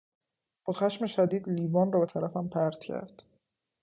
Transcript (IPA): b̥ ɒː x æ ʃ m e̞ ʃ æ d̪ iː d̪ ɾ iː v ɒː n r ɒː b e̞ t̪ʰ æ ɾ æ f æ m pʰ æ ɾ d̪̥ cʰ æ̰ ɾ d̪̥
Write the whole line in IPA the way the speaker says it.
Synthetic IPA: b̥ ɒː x æ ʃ m e̞ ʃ æ d̪ iː d̪ l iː v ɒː n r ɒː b e̞ t̪ʰ æ ɾ æ f æ m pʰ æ ɾ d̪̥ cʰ æ̰ ɾ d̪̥